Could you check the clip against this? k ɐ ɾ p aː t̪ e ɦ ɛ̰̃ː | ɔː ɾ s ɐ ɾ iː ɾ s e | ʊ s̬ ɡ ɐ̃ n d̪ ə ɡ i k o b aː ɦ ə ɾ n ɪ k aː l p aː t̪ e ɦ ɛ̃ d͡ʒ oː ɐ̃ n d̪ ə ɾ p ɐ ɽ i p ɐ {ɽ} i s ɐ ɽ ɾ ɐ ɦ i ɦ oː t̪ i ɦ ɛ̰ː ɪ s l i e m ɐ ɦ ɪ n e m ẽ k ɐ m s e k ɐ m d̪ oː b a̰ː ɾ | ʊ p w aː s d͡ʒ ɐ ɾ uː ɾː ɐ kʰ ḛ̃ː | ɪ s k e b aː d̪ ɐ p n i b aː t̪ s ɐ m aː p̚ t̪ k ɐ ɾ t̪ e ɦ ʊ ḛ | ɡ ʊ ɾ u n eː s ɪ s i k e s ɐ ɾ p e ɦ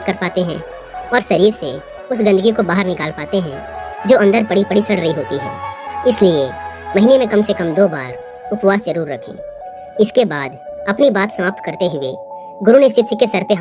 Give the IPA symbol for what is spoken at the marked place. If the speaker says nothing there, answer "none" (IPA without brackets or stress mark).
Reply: ɽ